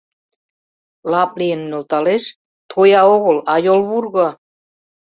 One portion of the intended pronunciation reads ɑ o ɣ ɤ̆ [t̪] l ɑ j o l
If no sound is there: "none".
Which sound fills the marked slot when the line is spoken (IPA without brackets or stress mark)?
none